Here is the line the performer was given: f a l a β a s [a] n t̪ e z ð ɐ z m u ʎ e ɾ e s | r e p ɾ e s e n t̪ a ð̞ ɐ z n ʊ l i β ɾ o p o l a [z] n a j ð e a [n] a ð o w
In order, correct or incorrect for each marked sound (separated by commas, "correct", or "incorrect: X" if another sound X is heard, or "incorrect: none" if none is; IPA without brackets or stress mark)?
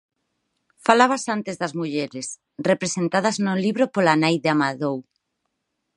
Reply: correct, incorrect: none, incorrect: m